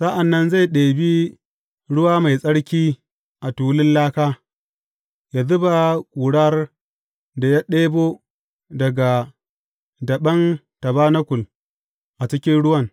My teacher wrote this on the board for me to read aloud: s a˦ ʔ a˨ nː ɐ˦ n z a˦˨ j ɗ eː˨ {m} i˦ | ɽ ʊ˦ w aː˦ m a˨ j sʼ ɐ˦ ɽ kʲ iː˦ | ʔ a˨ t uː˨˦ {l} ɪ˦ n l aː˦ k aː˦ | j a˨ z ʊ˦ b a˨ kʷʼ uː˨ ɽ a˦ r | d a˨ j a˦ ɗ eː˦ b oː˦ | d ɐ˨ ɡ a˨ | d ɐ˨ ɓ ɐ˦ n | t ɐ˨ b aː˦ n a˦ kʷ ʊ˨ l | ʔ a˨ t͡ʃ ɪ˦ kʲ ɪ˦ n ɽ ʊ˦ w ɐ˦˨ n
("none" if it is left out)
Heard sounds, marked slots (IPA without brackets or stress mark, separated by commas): b, l